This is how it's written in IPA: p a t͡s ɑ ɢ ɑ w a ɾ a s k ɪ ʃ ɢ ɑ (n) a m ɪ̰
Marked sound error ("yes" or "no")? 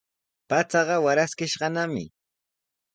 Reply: no